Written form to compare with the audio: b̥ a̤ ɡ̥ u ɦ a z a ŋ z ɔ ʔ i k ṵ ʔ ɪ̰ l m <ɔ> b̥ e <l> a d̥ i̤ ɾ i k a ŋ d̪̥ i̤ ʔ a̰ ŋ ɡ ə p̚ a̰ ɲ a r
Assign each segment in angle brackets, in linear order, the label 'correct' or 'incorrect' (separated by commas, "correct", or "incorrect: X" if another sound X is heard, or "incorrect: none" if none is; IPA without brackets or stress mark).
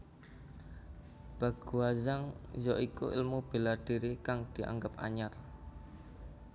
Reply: incorrect: u, correct